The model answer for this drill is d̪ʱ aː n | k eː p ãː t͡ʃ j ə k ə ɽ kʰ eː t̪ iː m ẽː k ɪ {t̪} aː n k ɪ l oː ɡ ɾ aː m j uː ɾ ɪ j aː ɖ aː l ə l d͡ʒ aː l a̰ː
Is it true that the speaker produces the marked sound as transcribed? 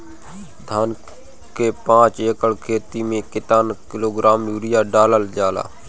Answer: yes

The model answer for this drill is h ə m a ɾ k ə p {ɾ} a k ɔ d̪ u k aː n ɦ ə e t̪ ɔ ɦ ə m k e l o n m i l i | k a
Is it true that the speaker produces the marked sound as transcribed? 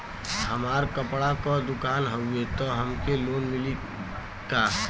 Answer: no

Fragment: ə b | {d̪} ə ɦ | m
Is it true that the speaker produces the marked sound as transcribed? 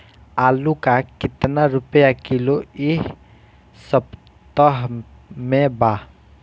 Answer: no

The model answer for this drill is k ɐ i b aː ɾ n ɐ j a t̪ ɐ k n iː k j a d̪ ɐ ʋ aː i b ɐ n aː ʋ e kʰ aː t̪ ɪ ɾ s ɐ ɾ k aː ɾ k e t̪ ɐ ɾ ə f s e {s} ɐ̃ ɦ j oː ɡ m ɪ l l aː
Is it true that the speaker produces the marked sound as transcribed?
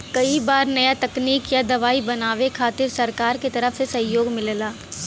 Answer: yes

